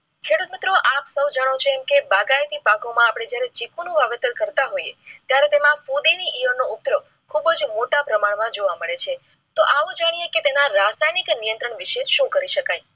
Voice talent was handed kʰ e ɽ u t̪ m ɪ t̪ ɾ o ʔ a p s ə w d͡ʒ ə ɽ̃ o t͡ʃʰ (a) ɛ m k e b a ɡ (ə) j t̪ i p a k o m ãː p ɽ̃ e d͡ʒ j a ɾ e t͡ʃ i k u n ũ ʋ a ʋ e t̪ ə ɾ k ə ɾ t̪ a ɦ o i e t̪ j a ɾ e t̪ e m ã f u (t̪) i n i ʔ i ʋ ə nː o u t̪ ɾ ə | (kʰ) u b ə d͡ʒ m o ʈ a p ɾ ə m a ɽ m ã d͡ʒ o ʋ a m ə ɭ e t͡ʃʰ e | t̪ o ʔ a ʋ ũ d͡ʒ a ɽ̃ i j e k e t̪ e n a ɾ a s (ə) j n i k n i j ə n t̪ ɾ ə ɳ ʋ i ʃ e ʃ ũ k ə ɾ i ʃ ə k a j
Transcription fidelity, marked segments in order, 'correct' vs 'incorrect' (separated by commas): incorrect, incorrect, incorrect, correct, incorrect